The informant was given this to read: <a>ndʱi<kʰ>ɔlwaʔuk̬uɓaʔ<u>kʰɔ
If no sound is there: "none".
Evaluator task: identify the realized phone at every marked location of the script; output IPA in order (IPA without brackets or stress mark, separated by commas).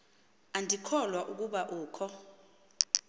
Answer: a, kʰ, uː